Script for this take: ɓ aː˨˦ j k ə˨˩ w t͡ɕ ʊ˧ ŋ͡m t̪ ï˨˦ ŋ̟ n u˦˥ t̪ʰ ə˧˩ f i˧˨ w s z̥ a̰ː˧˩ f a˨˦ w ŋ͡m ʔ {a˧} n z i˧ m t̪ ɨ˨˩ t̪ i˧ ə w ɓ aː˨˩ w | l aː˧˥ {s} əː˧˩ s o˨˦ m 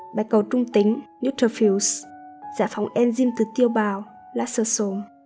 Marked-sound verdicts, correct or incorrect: incorrect: ɛ˧, correct

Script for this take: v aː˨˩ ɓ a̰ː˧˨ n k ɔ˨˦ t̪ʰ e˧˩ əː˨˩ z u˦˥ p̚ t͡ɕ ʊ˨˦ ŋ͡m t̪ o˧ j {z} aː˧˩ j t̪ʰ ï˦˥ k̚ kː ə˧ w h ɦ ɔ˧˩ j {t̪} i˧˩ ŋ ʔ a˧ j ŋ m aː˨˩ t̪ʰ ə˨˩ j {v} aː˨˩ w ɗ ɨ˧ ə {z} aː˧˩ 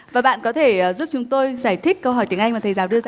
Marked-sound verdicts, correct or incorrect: correct, correct, incorrect: z, correct

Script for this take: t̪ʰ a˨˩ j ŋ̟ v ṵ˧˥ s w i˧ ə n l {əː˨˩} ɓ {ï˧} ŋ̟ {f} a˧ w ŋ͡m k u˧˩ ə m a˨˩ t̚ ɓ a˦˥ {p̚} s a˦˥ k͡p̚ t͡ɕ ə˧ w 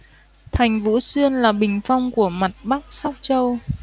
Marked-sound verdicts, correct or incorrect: incorrect: aː˨˩, incorrect: ï˨˩, correct, incorrect: k̚

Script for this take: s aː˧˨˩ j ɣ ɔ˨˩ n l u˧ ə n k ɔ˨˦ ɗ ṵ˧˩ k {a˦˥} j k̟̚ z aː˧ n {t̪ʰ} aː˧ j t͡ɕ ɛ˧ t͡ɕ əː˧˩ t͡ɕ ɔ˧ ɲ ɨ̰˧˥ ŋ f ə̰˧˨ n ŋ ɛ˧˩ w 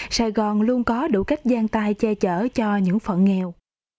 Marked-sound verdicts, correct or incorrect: correct, incorrect: t̪

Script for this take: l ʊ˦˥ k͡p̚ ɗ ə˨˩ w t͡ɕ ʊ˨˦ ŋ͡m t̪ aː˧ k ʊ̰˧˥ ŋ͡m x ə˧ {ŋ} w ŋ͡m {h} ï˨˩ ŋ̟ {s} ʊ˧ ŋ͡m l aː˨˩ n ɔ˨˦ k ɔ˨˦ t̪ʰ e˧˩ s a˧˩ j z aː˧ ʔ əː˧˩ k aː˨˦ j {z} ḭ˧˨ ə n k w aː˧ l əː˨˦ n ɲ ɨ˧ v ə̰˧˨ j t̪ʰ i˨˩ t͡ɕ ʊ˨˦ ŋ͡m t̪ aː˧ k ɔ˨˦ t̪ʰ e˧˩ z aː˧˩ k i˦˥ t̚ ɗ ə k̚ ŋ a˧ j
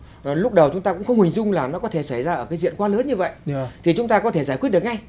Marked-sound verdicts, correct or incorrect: incorrect: none, correct, incorrect: z, correct

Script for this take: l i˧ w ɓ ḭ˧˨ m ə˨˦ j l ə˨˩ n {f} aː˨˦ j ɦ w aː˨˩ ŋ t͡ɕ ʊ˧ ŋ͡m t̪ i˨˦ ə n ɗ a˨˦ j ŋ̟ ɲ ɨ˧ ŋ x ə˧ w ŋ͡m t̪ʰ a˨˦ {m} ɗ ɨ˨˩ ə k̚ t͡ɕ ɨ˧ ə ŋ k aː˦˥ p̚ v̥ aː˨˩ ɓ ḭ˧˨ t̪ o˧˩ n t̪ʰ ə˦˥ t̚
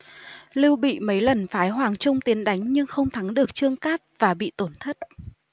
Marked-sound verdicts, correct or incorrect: correct, incorrect: ŋ

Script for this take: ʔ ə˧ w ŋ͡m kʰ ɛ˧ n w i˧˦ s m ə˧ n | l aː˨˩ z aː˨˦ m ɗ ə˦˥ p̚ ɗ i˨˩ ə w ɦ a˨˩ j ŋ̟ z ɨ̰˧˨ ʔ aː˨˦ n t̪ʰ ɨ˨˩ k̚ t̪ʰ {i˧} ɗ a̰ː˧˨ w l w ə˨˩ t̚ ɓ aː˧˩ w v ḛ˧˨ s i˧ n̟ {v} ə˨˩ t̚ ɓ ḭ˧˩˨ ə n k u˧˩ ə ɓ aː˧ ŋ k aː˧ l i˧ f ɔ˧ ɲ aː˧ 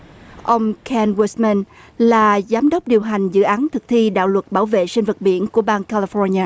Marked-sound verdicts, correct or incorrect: correct, correct

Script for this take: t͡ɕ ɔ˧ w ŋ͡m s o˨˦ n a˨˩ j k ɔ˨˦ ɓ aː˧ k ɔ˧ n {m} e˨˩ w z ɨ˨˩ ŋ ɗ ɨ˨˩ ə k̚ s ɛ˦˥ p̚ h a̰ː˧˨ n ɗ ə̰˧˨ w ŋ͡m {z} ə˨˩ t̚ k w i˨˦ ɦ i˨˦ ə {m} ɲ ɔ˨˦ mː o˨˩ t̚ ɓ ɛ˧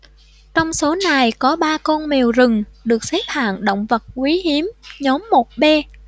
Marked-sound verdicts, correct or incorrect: correct, incorrect: v, correct

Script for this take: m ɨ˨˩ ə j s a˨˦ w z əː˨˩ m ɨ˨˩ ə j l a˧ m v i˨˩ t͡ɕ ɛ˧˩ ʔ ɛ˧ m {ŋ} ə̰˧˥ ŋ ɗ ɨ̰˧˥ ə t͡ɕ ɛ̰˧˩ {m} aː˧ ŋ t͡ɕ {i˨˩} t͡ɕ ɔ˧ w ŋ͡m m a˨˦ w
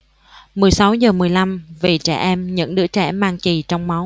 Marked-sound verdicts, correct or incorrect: incorrect: ɲ, correct, correct

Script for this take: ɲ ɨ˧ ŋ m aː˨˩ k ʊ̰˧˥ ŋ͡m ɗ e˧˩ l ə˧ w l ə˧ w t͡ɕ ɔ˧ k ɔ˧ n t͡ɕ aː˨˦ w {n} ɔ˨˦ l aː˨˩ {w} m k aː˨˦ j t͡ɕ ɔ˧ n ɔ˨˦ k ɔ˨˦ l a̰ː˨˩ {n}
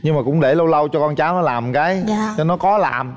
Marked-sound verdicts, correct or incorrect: correct, incorrect: none, incorrect: m

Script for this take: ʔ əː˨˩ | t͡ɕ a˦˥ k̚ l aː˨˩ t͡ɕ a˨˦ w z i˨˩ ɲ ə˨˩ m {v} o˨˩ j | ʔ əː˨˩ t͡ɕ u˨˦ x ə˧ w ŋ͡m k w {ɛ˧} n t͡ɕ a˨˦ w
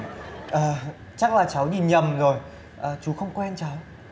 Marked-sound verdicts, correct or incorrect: incorrect: z, correct

